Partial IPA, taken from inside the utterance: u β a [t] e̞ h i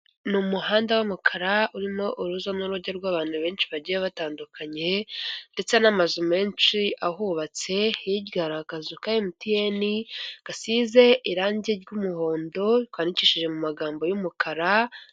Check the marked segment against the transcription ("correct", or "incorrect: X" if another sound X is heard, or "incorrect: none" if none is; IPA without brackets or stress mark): incorrect: t͡s